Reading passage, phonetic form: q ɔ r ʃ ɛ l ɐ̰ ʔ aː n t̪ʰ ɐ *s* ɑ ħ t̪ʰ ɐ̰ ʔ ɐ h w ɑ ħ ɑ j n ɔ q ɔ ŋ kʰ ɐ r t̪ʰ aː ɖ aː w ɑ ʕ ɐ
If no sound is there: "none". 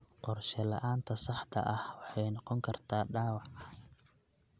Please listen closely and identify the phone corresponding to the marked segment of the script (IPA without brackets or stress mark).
s